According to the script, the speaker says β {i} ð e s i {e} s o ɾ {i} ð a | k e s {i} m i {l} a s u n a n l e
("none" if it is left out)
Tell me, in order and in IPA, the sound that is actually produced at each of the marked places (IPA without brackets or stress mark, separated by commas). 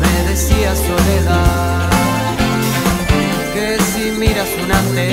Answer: e, a, e, i, ɾ